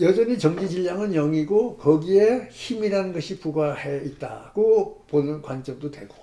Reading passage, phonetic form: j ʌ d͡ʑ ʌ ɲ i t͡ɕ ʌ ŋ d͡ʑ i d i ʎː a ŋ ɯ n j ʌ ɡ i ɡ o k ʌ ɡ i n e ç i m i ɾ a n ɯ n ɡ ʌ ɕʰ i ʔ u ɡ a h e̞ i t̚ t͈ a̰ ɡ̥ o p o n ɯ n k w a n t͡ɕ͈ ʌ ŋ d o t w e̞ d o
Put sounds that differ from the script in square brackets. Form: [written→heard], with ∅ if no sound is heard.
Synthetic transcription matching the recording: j ʌ d͡ʑ ʌ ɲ i t͡ɕ ʌ ŋ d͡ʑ i [d→d͡ʑ] i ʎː a ŋ ɯ n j ʌ [ɡ→ŋ] i ɡ o k ʌ ɡ i [n→∅] e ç i m i ɾ a n ɯ n ɡ ʌ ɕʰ i [ʔ→p] u ɡ a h e̞ i t̚ t͈ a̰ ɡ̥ o p o n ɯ n k w a n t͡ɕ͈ ʌ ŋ d o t w e̞ [d→ɡ] o